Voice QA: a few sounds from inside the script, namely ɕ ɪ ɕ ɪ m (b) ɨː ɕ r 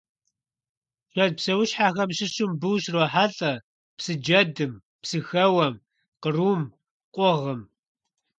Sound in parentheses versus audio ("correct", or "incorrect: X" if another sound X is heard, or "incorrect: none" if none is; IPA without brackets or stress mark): correct